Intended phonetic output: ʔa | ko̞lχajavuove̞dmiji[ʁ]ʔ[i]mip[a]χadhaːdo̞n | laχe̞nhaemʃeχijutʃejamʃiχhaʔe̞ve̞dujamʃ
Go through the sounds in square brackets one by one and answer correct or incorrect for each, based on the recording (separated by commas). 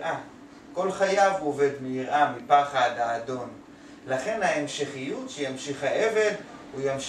correct, incorrect, correct